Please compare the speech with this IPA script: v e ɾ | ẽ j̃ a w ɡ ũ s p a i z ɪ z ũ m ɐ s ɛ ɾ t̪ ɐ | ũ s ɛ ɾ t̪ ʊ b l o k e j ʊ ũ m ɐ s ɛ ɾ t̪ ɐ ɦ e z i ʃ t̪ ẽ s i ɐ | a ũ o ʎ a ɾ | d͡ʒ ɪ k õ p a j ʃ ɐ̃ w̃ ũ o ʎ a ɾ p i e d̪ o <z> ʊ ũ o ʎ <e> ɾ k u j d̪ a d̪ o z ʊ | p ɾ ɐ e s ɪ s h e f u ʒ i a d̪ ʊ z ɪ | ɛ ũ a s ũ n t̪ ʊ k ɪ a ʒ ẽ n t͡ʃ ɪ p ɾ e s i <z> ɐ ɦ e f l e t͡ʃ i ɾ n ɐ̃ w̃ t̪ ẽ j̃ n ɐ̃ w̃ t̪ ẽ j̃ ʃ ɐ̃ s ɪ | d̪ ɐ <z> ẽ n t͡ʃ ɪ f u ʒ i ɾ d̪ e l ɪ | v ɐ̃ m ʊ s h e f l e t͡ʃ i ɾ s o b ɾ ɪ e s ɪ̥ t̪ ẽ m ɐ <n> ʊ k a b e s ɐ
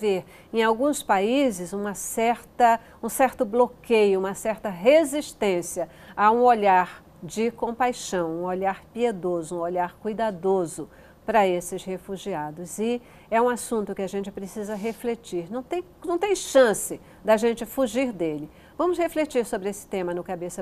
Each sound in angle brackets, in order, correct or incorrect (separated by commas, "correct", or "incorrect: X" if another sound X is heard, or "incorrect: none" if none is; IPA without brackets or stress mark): correct, incorrect: a, correct, incorrect: ʒ, correct